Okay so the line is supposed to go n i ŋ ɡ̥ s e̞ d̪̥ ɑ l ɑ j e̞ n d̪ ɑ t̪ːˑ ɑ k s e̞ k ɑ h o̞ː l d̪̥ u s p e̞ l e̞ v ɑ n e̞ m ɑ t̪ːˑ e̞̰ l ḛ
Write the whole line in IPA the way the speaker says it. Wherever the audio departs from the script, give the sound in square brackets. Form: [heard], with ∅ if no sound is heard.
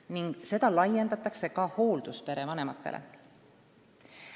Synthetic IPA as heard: n i ŋ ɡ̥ s e̞ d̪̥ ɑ l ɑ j e̞ n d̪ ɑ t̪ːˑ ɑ k s e̞ k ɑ h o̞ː l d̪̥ u s p e̞ [ɾ] e̞ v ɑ n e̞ m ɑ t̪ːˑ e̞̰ l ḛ